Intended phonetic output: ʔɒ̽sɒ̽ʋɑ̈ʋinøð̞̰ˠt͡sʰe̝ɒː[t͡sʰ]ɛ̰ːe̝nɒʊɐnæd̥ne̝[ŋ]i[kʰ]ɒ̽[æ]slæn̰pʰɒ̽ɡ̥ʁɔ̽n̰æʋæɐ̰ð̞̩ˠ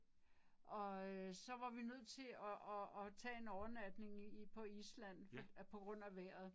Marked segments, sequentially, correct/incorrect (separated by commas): correct, correct, incorrect, incorrect